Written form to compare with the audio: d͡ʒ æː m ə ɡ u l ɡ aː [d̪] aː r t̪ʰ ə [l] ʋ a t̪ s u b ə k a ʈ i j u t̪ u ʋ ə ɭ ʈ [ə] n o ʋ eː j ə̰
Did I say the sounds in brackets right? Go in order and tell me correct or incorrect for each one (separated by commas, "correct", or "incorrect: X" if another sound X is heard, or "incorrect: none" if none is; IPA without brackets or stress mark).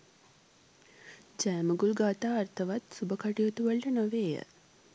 incorrect: t̪, incorrect: none, correct